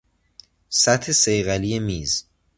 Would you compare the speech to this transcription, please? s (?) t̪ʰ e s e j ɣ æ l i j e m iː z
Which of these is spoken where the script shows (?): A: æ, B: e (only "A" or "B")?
A